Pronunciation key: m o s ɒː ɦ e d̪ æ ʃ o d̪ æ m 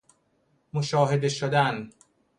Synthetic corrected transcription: m o ʃ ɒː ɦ e d̪ e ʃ o d̪ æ n